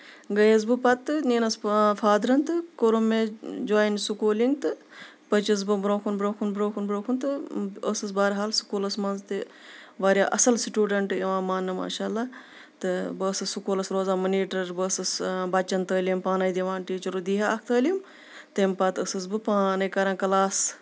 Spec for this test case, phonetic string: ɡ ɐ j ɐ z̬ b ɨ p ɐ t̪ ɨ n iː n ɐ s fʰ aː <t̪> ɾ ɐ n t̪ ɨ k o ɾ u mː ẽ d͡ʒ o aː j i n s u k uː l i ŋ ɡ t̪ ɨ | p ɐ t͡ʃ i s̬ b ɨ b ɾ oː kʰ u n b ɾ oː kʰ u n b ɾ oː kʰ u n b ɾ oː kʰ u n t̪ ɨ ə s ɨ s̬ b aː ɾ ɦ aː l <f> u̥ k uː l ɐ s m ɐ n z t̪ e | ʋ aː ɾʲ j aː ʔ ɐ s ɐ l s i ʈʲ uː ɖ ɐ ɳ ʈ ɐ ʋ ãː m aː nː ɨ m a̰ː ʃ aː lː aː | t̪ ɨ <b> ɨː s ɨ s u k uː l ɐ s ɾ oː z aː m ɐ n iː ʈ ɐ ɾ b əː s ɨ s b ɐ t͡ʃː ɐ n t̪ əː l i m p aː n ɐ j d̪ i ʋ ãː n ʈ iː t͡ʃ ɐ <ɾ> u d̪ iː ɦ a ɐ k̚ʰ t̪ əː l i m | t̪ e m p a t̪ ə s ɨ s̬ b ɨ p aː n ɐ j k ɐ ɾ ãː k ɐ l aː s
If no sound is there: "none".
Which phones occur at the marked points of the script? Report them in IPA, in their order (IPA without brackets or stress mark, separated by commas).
d̪, s, b, ɾ